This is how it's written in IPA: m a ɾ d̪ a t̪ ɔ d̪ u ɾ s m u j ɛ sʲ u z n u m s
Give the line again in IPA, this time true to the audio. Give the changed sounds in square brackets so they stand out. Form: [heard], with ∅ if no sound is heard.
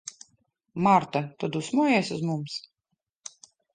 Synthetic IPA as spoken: m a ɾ [t̪] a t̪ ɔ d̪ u [∅] s m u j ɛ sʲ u z [m] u m s